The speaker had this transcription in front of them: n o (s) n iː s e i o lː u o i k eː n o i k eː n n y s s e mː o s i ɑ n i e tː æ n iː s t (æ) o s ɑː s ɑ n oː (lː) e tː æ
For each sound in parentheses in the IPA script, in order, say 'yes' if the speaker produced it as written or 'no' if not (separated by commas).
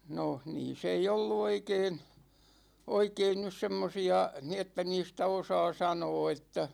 no, yes, no